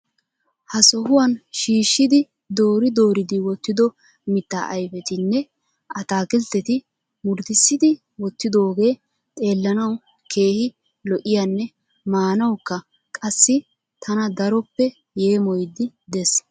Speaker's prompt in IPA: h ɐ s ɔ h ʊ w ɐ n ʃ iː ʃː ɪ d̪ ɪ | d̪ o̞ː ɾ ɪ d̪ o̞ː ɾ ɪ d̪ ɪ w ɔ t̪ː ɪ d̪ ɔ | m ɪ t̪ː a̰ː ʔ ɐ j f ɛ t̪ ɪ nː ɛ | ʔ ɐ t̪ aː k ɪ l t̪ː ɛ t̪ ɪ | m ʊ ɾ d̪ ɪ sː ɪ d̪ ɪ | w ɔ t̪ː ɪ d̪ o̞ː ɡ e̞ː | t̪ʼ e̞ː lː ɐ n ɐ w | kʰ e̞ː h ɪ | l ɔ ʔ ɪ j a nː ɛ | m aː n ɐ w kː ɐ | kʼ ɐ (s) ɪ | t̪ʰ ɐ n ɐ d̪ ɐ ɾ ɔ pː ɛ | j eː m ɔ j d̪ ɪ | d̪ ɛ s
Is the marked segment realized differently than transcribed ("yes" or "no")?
yes